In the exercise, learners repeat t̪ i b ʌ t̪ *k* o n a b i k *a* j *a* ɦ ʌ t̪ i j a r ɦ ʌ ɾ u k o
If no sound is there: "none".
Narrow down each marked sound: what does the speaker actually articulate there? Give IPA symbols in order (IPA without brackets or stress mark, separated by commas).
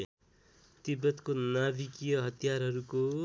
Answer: k, i, ʌ